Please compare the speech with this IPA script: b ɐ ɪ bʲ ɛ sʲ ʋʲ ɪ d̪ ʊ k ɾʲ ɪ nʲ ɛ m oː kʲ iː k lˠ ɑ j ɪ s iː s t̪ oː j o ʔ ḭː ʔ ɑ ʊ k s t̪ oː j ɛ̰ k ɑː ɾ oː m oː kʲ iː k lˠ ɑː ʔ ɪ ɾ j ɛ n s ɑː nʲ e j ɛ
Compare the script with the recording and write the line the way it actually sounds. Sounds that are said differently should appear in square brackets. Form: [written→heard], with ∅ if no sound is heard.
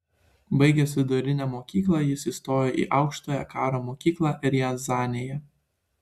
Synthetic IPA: b ɐ ɪ [bʲ→ɡʲ] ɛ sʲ ʋʲ ɪ d̪ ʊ [k→∅] ɾʲ ɪ nʲ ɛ m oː kʲ iː k lˠ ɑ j ɪ s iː s t̪ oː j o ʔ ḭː ʔ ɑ ʊ k [s→ʃ] t̪ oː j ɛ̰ k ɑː ɾ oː m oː kʲ iː k lˠ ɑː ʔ ɪ ɾ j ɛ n [s→z] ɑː nʲ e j ɛ